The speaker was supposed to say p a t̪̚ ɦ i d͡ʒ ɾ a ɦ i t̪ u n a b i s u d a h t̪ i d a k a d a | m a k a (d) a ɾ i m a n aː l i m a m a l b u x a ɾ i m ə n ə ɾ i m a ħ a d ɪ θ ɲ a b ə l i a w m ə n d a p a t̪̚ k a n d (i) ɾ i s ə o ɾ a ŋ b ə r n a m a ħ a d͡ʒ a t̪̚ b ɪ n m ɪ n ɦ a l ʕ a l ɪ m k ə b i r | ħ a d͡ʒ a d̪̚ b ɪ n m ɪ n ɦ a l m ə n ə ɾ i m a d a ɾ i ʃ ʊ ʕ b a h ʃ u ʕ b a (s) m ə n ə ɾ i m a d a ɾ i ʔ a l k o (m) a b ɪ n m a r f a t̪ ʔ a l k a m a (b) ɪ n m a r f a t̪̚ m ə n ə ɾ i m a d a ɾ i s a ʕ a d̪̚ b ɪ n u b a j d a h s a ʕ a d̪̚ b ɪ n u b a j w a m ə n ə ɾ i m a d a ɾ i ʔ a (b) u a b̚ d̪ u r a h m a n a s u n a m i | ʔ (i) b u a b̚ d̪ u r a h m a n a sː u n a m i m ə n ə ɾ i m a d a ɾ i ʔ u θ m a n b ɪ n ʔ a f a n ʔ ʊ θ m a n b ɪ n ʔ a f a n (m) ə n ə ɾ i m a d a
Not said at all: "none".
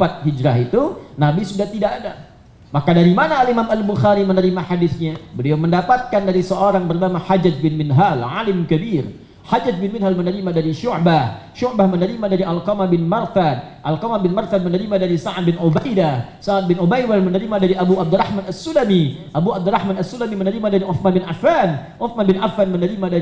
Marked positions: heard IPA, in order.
d, a, h, m, b, b, a, m

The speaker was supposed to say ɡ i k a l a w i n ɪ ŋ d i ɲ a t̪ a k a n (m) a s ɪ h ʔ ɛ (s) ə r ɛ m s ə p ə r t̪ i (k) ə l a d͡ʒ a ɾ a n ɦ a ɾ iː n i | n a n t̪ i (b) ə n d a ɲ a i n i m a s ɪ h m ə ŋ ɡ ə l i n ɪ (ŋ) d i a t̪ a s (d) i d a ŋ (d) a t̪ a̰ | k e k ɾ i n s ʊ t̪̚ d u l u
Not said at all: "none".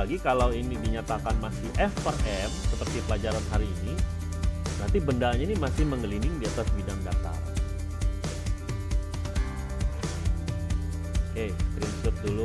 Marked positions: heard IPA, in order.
m, f, p, b, ŋ, b, d

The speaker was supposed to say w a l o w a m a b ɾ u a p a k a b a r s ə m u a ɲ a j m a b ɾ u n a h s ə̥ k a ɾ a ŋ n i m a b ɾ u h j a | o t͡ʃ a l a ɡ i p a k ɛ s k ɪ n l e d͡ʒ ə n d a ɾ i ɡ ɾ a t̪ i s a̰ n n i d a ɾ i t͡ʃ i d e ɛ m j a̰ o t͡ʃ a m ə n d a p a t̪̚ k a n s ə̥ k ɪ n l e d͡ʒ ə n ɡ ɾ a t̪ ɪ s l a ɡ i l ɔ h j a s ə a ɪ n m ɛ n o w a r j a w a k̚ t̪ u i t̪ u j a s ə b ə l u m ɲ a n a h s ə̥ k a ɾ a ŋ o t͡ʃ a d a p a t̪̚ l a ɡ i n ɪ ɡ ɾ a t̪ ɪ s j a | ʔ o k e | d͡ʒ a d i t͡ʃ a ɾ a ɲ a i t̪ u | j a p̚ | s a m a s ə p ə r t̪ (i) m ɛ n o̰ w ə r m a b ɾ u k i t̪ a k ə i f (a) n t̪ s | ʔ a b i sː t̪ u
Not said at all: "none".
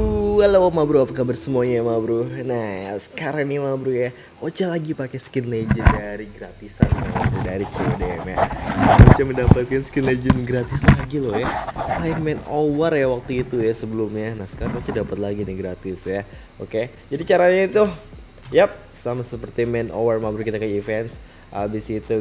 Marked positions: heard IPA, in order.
i, ɛ

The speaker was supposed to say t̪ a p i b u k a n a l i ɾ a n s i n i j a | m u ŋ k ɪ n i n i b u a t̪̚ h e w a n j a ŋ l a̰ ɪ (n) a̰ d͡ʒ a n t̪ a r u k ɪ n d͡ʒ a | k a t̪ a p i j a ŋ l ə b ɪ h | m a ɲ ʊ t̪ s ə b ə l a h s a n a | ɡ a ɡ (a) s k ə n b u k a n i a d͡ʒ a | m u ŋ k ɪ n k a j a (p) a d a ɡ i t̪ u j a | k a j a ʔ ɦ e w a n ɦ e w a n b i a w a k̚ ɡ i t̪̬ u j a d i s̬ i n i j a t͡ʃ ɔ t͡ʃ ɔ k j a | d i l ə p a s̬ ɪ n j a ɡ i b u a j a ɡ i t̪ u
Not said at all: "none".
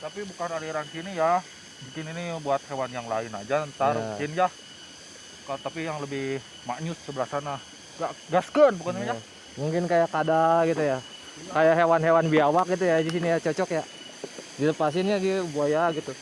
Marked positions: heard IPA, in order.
n, a, k

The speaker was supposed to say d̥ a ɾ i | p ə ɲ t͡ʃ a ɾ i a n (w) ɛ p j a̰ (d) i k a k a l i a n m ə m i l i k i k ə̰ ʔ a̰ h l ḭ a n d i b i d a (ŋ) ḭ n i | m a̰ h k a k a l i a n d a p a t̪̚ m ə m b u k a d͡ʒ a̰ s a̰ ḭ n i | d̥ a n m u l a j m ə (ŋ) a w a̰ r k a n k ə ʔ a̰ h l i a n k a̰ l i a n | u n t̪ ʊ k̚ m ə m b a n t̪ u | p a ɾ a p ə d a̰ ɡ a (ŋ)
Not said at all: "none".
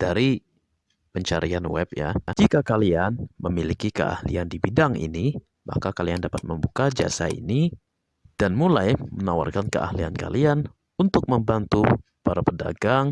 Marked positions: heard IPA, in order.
w, d͡ʒ, ŋ, n, ŋ

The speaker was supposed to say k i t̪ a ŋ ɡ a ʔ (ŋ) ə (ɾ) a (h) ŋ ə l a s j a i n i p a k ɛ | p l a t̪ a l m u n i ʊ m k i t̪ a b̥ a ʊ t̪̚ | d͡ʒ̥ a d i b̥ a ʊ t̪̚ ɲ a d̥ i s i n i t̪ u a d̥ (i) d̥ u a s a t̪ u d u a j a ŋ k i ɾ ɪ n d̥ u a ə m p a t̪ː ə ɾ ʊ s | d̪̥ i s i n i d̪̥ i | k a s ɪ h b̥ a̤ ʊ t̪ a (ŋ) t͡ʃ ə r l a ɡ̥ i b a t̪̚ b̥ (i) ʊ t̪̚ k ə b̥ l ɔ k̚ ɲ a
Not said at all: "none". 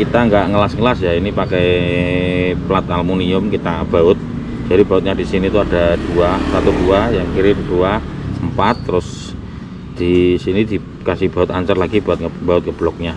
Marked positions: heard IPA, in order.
ŋ, l, s, a, ɲ, a

